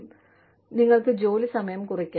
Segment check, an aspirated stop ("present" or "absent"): absent